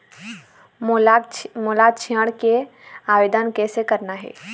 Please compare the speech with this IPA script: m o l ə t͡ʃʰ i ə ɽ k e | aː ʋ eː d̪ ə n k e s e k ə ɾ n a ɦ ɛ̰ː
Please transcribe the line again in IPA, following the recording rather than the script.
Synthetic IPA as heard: m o l a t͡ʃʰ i ə ɽ k e | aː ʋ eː d̪ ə n k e s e k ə ɾ n a ɦ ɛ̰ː